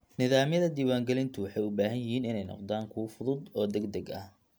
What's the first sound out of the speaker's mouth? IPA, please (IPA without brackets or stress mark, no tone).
n